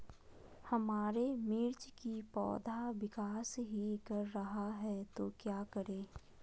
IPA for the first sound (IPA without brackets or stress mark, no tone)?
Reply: h